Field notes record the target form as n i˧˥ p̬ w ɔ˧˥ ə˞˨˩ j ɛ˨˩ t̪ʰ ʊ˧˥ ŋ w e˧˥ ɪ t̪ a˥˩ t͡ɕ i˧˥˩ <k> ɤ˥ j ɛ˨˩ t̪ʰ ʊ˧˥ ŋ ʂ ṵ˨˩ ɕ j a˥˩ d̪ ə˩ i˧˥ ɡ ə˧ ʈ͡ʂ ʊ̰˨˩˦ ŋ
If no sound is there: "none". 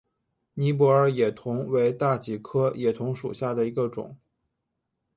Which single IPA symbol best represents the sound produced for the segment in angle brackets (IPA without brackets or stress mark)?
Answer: kʰ